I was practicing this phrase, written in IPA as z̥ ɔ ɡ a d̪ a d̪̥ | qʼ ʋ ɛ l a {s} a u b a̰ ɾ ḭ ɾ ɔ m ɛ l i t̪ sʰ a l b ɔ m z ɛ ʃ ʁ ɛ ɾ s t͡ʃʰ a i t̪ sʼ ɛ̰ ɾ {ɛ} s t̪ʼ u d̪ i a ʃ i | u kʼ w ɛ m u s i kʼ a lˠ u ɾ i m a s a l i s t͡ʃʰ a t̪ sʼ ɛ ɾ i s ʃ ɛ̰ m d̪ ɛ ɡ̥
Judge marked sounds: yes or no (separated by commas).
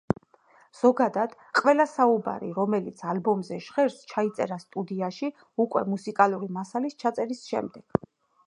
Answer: yes, no